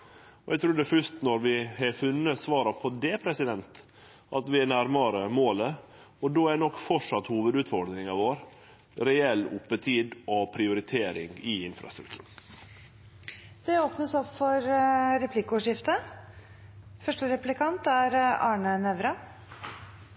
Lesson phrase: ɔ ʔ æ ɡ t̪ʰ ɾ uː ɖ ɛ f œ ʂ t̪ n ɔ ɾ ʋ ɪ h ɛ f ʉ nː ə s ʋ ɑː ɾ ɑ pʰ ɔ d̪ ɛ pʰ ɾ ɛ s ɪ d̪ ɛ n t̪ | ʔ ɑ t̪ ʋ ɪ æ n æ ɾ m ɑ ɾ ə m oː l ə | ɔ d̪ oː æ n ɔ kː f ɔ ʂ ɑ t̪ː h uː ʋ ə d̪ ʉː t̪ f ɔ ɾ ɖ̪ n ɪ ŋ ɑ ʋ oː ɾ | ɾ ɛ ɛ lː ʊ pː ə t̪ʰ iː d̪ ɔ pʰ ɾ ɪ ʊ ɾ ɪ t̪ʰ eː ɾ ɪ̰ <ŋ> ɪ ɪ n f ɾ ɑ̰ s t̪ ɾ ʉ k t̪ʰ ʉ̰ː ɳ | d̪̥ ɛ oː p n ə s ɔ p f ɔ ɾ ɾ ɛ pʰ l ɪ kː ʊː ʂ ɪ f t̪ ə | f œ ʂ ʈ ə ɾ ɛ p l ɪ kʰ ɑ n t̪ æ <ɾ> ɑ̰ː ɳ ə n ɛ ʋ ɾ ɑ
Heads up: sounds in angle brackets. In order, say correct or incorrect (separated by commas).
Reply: correct, correct